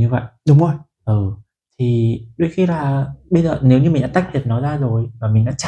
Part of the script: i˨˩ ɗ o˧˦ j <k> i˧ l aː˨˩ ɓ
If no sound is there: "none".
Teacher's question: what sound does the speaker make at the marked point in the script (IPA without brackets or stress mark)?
x